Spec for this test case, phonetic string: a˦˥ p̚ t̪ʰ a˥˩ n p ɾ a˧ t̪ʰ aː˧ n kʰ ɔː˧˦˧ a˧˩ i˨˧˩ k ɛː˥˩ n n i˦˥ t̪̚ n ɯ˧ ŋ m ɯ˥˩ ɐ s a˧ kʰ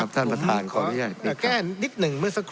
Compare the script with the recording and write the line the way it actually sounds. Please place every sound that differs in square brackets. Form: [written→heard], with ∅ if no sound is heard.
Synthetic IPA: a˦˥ p̚ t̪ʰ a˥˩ n p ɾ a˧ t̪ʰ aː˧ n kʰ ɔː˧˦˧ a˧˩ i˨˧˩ k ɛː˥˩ n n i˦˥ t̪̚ n [ɯ˧→ɯ˨˩] ŋ m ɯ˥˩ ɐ s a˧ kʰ